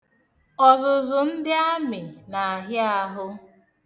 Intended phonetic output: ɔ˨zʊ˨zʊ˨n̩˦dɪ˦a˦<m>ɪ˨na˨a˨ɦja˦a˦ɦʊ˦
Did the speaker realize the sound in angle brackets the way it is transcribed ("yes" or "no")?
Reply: yes